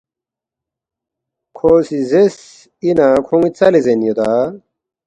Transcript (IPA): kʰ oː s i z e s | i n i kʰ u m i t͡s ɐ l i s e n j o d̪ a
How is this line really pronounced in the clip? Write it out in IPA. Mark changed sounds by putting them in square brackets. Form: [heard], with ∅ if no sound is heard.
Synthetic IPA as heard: kʰ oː s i z e s | i n [a] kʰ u [ŋ] i t͡s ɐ l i [z] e n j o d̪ a